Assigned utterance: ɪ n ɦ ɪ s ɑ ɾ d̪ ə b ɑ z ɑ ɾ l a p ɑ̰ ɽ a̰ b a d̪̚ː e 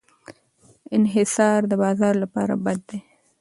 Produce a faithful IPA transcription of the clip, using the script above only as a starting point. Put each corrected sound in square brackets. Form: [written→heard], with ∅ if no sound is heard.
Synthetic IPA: ɪ n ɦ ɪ s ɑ ɾ d̪ ə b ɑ z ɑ ɾ l a p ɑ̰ [ɽ→ɾ] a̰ b a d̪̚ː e